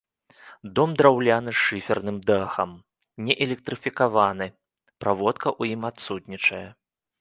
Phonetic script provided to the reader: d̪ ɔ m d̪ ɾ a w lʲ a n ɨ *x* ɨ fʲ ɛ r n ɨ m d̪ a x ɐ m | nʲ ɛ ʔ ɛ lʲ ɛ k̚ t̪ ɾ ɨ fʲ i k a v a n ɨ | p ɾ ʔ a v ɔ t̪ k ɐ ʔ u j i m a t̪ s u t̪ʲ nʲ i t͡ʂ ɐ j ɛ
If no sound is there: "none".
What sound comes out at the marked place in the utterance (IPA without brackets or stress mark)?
ʂ